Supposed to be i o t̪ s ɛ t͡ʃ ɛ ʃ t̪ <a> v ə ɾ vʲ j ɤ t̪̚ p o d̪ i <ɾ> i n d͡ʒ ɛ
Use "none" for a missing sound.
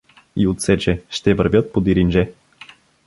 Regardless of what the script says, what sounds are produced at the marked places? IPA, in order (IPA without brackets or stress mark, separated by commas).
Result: ɛ, ɾ